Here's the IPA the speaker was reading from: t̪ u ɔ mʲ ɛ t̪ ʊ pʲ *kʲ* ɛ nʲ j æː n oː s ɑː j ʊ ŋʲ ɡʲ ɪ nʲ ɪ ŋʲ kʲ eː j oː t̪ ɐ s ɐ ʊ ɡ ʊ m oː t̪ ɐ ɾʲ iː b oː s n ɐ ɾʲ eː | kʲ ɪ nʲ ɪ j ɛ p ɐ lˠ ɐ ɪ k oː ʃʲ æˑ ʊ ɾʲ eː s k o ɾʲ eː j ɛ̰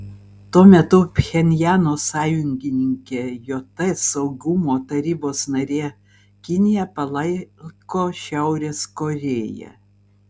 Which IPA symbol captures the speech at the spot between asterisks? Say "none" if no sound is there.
xʲ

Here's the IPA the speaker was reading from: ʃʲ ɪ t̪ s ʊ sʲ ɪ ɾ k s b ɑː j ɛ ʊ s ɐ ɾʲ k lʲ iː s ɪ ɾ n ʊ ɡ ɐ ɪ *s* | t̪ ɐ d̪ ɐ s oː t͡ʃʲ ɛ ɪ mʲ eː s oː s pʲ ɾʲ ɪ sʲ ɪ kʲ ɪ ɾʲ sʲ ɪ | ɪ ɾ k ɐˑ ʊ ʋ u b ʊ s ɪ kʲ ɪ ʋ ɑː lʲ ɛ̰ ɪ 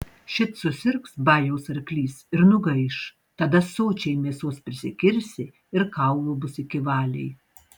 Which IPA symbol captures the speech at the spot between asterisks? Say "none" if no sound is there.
ʃ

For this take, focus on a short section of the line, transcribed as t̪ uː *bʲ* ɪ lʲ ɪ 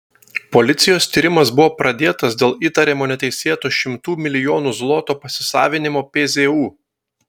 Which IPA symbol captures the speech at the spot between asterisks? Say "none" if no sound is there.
mʲ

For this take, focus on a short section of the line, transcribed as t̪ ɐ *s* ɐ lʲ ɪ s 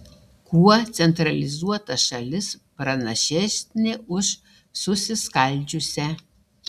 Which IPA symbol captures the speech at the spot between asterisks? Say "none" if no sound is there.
ʃ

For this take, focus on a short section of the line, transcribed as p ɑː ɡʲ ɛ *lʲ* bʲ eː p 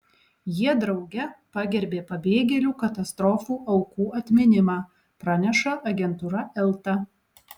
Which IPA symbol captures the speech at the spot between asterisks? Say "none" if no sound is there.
ɾʲ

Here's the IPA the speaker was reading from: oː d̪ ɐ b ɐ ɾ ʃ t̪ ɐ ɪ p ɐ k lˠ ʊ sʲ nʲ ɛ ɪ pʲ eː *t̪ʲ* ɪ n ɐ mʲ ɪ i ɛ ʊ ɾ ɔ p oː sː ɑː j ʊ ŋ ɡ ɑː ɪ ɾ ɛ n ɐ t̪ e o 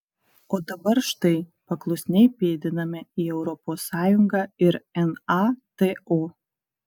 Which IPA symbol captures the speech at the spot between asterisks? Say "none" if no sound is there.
d̪ʲ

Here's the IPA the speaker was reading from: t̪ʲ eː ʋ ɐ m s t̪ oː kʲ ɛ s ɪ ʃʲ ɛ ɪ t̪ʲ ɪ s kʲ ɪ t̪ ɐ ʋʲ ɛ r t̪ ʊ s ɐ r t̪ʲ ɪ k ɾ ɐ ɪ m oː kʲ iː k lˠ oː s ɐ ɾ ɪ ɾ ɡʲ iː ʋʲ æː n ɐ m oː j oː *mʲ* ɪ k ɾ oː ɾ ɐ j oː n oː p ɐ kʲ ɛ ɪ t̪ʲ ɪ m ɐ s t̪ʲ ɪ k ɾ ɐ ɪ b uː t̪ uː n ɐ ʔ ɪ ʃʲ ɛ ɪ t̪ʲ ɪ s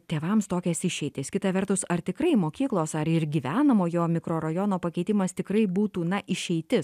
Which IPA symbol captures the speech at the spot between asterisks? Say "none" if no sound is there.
mʲ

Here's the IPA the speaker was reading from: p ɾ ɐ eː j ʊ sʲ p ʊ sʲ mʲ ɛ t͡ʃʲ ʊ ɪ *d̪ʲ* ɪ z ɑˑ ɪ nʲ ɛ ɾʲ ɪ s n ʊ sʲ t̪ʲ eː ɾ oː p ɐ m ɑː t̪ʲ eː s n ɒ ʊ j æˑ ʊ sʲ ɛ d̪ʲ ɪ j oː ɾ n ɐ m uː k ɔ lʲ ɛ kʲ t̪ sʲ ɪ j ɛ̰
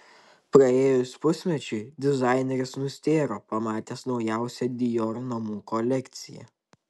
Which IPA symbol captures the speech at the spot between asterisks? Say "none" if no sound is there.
d̪ʲ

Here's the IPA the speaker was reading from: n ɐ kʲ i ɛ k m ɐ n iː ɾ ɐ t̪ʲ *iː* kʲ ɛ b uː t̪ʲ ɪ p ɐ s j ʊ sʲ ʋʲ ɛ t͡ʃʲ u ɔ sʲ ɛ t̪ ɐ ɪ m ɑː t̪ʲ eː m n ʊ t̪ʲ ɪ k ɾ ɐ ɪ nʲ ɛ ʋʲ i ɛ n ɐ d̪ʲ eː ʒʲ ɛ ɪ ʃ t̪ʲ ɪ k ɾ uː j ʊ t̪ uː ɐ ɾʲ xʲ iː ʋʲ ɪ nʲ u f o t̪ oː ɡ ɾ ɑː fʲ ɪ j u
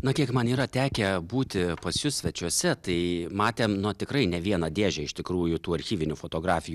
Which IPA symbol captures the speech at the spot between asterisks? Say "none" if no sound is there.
æː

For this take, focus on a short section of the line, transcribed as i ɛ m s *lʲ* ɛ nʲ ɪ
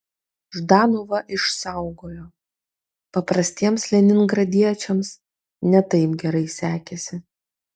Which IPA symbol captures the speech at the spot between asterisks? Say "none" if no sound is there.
lʲ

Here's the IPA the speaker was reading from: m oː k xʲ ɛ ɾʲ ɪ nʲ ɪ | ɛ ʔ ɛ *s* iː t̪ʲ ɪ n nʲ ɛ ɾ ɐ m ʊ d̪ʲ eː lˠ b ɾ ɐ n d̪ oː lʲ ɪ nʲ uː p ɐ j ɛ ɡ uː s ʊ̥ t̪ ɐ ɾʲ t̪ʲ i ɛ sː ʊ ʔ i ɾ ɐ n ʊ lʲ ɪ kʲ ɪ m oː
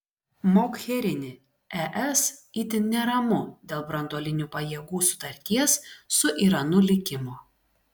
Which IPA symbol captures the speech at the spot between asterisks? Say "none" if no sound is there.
s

